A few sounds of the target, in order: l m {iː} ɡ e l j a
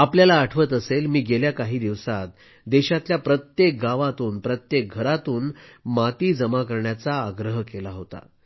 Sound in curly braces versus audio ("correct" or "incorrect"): correct